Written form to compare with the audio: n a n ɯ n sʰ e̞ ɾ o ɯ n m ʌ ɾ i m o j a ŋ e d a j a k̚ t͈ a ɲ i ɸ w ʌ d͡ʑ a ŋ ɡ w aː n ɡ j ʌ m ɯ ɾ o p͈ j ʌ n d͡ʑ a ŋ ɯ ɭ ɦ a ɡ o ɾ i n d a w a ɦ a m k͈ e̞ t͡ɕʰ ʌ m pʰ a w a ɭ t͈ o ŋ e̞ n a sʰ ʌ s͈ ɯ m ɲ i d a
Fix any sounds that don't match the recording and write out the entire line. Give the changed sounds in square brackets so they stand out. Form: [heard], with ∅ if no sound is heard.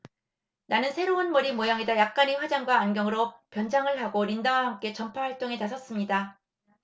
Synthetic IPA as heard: n a n ɯ n sʰ e̞ ɾ o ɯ n m ʌ ɾ i m o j a ŋ e d a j a k̚ [k͈] a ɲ i ɸ w [a] d͡ʑ a ŋ ɡ w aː n ɡ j ʌ [ŋ] ɯ ɾ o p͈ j ʌ n d͡ʑ a ŋ ɯ ɭ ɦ a ɡ o ɾ i n d a w a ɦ a m k͈ e̞ [t͡ɕ] ʌ m pʰ a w a ɭ t͈ o ŋ e̞ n a sʰ ʌ s͈ ɯ m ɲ i d a